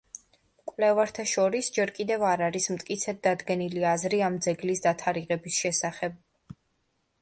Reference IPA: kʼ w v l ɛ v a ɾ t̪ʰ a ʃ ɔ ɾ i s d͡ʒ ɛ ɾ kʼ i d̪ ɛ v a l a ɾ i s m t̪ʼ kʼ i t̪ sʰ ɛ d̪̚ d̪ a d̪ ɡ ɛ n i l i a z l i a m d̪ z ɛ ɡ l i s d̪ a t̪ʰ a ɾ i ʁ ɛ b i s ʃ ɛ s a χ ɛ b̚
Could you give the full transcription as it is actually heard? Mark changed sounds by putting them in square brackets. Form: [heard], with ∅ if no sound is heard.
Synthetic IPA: kʼ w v l ɛ v a ɾ t̪ʰ a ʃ ɔ ɾ i s d͡ʒ ɛ ɾ kʼ i d̪ ɛ v a [ɾ] a ɾ i s m t̪ʼ kʼ i t̪ sʰ ɛ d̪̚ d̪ a d̪ ɡ ɛ n i l i a z [ɾ] i a m d̪ z ɛ ɡ l i s d̪ a t̪ʰ a ɾ i ʁ ɛ b i s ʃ ɛ s a χ ɛ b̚